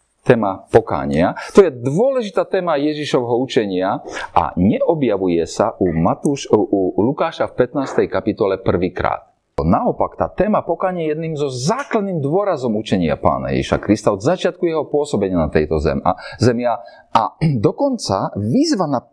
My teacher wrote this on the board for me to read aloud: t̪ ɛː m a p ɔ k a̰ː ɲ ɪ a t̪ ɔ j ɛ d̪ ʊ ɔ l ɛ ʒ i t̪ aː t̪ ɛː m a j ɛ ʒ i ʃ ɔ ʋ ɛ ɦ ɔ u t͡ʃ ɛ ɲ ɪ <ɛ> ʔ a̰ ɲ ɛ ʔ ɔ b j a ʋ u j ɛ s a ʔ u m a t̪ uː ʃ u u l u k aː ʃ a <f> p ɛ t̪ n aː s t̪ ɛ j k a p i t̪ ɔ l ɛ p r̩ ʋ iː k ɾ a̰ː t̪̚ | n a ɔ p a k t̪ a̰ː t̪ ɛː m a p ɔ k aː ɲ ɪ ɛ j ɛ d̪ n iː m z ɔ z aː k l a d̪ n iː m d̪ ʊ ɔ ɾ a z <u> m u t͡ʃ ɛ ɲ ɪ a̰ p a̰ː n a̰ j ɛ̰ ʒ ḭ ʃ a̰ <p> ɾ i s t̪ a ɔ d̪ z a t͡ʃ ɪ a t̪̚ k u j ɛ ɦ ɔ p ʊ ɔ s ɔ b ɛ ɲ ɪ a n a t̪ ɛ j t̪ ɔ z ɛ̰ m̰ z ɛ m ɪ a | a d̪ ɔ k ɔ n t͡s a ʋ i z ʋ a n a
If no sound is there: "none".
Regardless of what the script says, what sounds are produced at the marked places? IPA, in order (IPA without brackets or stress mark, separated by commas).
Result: a, f, ɔ, k